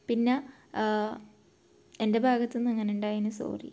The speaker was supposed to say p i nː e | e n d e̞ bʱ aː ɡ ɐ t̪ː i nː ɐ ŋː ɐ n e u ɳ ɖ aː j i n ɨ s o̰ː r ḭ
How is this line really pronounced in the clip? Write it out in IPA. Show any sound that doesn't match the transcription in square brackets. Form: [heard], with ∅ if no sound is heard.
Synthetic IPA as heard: p i nː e | e n d e̞ bʱ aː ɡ ɐ t̪ː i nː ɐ ŋː ɐ n e u ɳ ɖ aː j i n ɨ s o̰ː r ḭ